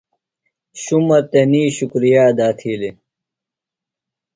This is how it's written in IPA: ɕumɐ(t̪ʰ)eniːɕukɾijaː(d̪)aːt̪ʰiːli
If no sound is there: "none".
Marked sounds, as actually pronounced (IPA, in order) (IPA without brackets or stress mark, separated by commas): t̪, d̪